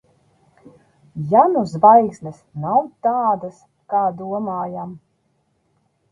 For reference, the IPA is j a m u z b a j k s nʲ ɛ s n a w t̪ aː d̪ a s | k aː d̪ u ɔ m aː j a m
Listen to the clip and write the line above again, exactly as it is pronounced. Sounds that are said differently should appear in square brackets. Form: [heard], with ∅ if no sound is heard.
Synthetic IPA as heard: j a [n] u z b a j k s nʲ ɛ s n a w t̪ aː d̪ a s | k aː d̪ u ɔ m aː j a m